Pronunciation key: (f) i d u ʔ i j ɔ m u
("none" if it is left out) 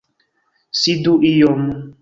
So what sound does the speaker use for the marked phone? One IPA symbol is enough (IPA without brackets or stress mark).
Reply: s